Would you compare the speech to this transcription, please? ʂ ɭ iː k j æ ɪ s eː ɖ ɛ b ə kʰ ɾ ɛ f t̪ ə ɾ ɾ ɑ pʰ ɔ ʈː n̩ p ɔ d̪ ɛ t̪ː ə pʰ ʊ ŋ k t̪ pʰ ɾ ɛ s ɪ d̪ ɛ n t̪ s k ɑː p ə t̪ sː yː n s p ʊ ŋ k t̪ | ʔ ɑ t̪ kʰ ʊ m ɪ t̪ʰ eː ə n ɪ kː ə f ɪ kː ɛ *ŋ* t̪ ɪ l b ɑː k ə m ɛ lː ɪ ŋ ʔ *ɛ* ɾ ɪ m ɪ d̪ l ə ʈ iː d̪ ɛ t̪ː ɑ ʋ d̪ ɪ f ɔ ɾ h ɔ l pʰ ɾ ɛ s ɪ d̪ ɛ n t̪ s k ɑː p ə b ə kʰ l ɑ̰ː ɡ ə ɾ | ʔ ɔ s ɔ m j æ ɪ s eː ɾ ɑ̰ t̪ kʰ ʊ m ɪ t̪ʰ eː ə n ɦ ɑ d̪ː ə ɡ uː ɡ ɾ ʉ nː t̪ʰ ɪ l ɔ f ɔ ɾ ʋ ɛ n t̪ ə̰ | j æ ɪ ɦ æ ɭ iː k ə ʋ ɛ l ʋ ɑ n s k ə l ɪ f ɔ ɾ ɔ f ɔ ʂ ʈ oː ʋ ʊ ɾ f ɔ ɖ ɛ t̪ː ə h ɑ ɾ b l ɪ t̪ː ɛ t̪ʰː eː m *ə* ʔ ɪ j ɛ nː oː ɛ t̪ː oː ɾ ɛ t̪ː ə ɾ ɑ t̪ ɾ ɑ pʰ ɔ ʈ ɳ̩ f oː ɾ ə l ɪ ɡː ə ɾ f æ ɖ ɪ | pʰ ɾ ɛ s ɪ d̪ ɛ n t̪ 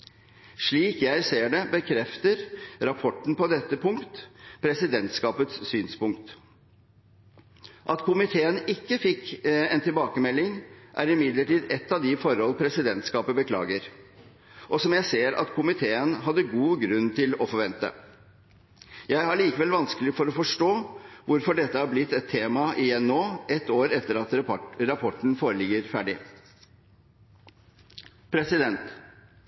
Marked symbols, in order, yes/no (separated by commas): no, no, no